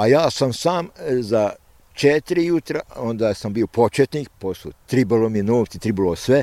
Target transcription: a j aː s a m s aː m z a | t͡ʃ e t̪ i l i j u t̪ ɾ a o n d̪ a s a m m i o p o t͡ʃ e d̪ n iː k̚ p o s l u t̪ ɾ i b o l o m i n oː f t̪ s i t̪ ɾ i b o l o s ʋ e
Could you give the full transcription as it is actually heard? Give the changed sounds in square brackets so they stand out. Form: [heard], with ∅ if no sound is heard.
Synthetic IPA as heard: a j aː s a m s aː m z a | t͡ʃ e t̪ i [ɾ] i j u t̪ ɾ a o n d̪ a s a m [b] i o p o t͡ʃ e [t̪] n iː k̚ p o s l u t̪ ɾ i b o l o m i n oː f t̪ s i t̪ ɾ i b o l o s ʋ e